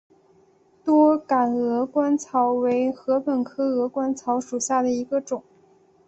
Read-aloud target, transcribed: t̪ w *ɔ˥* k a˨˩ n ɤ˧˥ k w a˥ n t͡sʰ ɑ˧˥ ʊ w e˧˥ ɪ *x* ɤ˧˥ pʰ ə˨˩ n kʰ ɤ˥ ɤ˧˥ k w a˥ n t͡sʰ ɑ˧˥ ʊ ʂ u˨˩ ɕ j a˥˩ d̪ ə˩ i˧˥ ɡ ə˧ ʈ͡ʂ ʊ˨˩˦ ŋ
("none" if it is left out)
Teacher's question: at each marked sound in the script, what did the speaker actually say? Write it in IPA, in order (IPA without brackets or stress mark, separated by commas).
ɔ˥, x